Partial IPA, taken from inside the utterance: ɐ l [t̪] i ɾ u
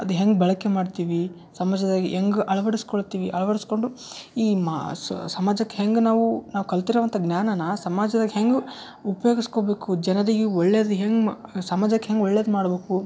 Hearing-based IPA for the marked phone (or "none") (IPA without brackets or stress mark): t̪